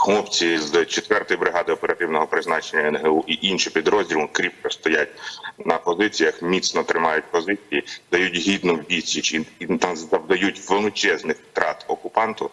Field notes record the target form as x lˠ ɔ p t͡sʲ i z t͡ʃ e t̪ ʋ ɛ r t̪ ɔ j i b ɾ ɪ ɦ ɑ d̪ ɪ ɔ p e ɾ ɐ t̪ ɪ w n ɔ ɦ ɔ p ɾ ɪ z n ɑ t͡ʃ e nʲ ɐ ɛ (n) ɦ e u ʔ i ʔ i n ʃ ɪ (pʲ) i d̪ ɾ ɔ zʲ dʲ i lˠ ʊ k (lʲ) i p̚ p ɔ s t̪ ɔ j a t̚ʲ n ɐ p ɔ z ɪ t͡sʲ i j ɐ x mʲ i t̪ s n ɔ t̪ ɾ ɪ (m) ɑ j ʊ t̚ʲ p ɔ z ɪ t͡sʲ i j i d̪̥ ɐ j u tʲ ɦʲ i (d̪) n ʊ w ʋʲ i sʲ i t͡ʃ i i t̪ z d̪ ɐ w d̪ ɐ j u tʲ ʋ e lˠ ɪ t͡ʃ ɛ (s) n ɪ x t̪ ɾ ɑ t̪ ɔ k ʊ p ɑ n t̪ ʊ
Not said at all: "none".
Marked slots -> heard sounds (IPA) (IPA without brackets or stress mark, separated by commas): n, pʲ, ɾʲ, m, d̪, z